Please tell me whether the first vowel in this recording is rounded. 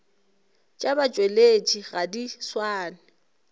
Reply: no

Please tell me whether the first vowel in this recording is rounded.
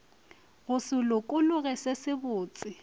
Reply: yes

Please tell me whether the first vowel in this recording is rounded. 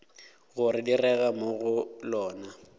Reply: yes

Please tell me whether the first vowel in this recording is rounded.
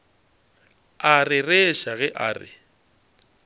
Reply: no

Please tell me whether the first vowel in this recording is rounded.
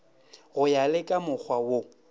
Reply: yes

